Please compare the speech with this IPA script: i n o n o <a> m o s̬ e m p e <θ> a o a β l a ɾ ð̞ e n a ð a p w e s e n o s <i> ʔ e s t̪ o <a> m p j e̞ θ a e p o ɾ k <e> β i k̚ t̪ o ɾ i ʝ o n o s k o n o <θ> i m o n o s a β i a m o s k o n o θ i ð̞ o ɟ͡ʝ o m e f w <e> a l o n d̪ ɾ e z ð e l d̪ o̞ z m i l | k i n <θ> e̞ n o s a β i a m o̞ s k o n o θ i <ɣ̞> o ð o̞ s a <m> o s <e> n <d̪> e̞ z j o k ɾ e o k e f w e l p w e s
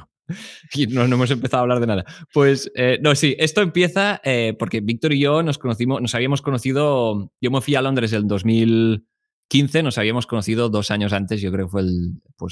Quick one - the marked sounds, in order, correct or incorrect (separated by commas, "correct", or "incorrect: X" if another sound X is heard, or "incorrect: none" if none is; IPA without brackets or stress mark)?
incorrect: e, correct, correct, incorrect: e, correct, correct, incorrect: i, correct, incorrect: ð̞, incorrect: ɲ, incorrect: a, incorrect: t̪